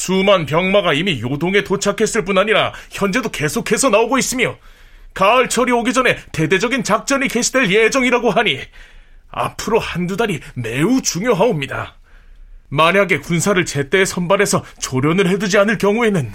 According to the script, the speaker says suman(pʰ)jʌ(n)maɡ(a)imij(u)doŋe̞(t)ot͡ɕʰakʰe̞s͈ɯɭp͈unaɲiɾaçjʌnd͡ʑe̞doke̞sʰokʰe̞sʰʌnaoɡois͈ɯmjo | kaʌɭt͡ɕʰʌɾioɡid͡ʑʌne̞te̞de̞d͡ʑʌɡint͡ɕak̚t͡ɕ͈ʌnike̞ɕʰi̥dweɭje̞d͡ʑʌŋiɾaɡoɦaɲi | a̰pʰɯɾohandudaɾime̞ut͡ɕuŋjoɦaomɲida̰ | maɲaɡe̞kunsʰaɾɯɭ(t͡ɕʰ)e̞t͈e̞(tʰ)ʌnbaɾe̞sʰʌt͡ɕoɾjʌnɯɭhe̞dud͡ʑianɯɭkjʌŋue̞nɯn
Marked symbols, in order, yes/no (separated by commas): no, no, yes, no, yes, no, no